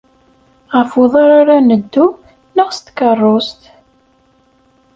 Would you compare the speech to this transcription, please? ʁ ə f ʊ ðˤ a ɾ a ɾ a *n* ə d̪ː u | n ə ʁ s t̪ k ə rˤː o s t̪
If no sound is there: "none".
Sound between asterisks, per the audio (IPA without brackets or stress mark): n